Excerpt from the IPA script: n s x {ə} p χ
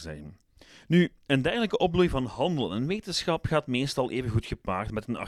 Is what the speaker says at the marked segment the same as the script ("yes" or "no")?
no